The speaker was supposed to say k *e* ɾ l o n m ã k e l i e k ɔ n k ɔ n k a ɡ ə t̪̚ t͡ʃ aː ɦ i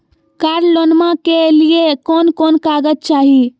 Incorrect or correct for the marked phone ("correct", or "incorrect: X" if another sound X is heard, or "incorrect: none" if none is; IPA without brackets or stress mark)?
incorrect: a